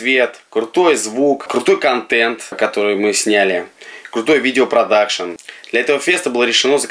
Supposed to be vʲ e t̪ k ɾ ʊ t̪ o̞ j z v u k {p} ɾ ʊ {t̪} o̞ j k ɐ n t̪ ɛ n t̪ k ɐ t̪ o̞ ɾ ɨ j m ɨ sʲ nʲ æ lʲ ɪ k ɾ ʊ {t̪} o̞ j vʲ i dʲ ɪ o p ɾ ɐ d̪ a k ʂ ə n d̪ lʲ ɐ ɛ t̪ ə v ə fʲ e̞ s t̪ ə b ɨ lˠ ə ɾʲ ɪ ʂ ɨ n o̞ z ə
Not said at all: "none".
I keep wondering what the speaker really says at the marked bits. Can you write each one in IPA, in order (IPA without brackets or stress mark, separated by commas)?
k, t̪, t̪